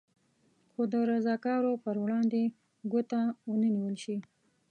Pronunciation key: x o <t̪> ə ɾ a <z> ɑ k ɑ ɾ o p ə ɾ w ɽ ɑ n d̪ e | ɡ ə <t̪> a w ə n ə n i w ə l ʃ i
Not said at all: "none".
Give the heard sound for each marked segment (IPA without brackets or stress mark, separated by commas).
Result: d̪, z, t̪